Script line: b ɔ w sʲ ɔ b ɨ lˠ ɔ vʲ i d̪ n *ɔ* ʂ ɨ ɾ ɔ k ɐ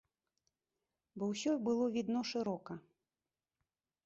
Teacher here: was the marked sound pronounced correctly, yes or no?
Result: yes